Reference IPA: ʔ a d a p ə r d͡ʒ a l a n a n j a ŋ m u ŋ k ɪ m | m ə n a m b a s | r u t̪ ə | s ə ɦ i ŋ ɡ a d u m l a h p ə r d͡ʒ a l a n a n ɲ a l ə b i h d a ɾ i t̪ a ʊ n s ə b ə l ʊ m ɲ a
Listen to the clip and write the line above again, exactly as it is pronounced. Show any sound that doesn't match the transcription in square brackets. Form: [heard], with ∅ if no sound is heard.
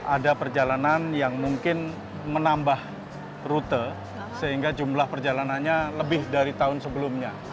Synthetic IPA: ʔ a d a p ə r d͡ʒ a l a n a n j a ŋ m u ŋ k ɪ [n] | m ə n a m b a [h] | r u t̪ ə | s ə ɦ i ŋ ɡ a [d͡ʒ] u m l a h p ə r d͡ʒ a l a n a n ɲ a l ə b [ɪ] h d a ɾ i t̪ a ʊ n s ə b ə l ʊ m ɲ a